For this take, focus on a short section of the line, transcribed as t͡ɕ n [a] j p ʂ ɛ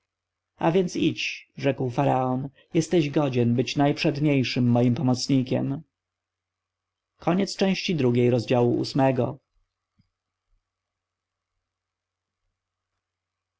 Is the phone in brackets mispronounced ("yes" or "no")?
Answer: no